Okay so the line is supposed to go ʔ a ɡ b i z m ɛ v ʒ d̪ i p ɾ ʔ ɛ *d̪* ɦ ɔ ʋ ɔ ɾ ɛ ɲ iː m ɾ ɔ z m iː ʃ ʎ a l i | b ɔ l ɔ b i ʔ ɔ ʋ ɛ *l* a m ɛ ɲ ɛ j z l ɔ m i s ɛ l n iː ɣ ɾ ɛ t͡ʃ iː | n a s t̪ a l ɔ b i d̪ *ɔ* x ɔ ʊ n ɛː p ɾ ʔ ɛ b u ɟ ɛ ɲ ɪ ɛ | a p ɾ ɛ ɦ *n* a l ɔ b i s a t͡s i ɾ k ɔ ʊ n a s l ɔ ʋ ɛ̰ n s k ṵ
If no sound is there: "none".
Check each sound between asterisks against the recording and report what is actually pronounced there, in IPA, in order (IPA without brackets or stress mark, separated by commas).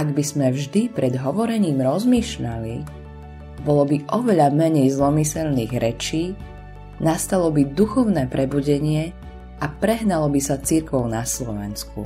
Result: d̪, ʎ, u, n